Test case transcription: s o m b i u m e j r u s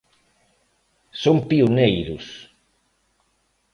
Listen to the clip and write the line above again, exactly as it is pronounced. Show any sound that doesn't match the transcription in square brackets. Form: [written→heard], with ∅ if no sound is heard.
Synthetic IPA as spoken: s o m [b→p] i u [m→n] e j [r→ɾ] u s